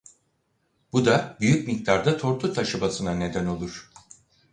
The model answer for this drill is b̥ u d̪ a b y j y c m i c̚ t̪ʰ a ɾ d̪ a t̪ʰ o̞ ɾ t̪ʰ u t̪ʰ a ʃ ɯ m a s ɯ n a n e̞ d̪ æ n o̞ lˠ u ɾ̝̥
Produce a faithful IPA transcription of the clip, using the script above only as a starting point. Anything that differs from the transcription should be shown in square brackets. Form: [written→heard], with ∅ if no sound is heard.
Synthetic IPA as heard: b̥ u d̪ a b y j y c m i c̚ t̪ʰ a ɾ d̪ a t̪ʰ o̞ ɾ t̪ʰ u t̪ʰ a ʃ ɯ [m→b] a s ɯ n a n e̞ d̪ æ n o̞ lˠ u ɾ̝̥

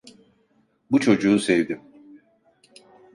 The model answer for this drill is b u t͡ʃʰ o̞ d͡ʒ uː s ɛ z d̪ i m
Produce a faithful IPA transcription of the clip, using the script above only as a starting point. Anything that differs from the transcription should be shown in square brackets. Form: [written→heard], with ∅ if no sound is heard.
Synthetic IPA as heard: b u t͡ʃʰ o̞ d͡ʒ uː s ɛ [z→v] d̪ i m

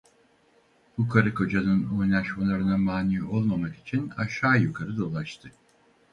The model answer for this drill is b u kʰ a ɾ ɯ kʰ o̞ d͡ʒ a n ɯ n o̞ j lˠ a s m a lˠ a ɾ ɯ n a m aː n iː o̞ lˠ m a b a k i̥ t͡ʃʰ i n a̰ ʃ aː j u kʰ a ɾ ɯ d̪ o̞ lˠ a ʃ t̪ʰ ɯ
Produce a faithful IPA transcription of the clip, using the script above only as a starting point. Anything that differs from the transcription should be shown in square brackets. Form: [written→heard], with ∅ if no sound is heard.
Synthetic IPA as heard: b u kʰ a ɾ ɯ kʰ o̞ d͡ʒ a n ɯ n o̞ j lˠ a [s→ʃ] m a lˠ a ɾ ɯ n a m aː n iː o̞ lˠ m a [b→m] a k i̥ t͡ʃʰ i n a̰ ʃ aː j u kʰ a ɾ ɯ d̪ o̞ lˠ a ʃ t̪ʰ ɯ

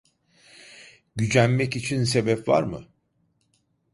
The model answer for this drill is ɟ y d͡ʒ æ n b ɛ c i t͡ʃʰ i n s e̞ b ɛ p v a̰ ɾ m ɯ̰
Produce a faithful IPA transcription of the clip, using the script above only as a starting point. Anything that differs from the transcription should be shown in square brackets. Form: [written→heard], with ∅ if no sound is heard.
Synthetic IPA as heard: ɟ y d͡ʒ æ n [b→m] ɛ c i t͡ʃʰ i n s e̞ b ɛ p v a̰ ɾ m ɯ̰

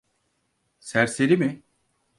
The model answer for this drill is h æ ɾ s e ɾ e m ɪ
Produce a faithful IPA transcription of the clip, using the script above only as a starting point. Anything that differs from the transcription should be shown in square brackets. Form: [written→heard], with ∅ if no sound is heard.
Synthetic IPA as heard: [h→s] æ ɾ s e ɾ [e→i] m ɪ

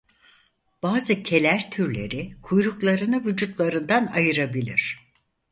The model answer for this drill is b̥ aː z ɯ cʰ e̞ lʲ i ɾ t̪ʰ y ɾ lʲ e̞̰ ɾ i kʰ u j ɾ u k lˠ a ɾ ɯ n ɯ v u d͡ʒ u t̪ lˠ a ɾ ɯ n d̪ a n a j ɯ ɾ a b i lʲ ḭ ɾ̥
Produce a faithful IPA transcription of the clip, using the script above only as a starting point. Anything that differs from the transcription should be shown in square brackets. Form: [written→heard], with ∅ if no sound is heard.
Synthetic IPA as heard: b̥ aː z ɯ cʰ e̞ lʲ [i→æ] ɾ t̪ʰ y ɾ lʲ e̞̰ ɾ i kʰ u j ɾ u k lˠ a ɾ ɯ n ɯ v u d͡ʒ u t̪ lˠ a ɾ ɯ n d̪ a n a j ɯ ɾ a b i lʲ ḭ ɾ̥

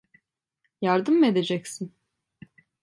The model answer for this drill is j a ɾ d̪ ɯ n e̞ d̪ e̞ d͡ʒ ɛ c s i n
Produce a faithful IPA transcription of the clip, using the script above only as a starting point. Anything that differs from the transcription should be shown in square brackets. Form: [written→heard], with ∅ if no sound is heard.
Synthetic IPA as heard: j a ɾ d̪ ɯ [n→m] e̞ d̪ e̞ d͡ʒ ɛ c s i n

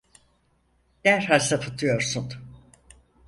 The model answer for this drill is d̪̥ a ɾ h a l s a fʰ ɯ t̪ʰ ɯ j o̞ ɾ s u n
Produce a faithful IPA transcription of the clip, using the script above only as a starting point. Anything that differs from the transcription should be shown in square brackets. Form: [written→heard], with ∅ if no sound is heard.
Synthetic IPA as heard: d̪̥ [a→æ] ɾ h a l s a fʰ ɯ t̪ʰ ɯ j o̞ ɾ s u n

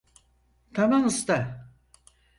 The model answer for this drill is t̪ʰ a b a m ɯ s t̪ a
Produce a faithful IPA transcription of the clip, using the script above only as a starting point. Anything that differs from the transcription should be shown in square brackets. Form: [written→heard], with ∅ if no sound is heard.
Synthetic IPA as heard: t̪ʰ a [b→m] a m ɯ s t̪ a

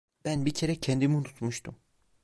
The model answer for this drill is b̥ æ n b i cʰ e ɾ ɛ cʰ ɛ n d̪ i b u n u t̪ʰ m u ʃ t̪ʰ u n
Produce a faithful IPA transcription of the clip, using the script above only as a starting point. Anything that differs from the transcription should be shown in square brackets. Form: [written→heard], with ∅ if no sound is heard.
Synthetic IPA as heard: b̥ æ n b i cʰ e ɾ ɛ cʰ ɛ n d̪ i [b→m] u n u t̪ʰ m u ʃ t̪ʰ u [n→m]

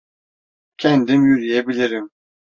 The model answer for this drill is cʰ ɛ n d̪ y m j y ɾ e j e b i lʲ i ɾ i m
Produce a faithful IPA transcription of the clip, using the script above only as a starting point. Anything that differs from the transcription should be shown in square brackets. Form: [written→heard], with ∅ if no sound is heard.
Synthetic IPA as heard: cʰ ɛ n d̪ [y→i] m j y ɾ [e→i] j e b i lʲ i ɾ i m

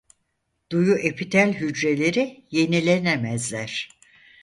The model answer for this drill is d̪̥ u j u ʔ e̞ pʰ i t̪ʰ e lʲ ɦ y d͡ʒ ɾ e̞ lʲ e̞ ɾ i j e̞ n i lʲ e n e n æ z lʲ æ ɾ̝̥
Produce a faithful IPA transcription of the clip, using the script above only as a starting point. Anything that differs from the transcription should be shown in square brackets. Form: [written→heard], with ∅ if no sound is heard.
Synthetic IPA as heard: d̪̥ u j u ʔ e̞ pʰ i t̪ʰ [e→æ] lʲ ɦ y d͡ʒ ɾ e̞ lʲ e̞ ɾ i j e̞ n i lʲ e n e [n→m] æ z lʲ æ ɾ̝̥

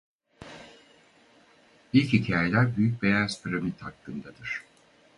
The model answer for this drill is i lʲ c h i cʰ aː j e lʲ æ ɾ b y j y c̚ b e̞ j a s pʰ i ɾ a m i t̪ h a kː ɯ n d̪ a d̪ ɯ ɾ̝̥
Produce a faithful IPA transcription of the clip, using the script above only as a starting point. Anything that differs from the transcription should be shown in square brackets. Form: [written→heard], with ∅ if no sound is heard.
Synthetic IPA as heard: i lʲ c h i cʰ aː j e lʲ æ ɾ b y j y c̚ b e̞ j a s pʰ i ɾ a m i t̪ h a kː ɯ n d̪ a d̪ ɯ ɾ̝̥

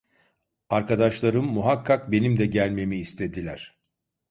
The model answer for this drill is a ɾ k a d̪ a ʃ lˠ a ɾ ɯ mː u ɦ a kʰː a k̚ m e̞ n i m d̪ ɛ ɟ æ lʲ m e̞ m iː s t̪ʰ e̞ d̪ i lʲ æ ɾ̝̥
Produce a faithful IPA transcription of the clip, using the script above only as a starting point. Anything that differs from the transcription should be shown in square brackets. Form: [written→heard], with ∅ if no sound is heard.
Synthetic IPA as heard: a ɾ k a d̪ a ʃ lˠ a ɾ ɯ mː u ɦ a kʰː a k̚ [m→b] e̞ n i m d̪ ɛ ɟ æ lʲ m e̞ m iː s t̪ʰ e̞ d̪ i lʲ æ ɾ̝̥

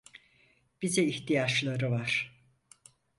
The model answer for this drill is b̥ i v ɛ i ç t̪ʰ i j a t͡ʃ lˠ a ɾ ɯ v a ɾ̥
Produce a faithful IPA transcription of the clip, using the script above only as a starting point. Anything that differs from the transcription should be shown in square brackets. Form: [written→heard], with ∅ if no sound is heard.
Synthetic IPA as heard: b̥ i [v→z] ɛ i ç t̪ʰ i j a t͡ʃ lˠ a ɾ ɯ v a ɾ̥

